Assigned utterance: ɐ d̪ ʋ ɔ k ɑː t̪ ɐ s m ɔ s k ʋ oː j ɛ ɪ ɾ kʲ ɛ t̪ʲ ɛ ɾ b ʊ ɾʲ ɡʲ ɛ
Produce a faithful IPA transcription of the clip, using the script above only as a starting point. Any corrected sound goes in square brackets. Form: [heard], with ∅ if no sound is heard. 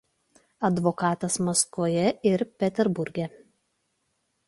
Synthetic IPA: ɐ d̪ ʋ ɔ k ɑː t̪ ɐ s m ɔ s k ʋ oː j ɛ ɪ ɾ [pʲ] ɛ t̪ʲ ɛ ɾ b ʊ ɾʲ ɡʲ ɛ